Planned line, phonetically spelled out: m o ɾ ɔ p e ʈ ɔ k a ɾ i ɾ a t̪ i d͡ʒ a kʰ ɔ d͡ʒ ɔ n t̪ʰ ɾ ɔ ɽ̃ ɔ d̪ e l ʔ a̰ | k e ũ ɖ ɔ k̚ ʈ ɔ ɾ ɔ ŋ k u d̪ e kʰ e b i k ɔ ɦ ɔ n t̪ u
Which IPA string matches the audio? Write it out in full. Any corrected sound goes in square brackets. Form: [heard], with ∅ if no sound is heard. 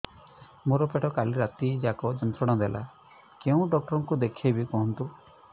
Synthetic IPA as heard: m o ɾ ɔ p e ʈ ɔ k a [l] i ɾ a t̪ i d͡ʒ a [k] ɔ d͡ʒ ɔ n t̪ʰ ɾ ɔ ɽ̃ ɔ d̪ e l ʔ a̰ | k e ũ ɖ ɔ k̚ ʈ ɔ ɾ ɔ ŋ k u d̪ e kʰ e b i k ɔ ɦ ɔ n t̪ u